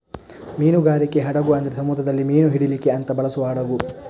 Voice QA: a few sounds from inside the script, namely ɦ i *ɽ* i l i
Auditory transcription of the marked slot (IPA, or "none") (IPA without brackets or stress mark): ɽ